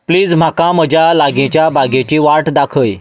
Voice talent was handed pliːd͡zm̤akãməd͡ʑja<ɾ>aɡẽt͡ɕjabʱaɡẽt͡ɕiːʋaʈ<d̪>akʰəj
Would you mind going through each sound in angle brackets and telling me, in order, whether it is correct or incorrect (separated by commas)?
incorrect, correct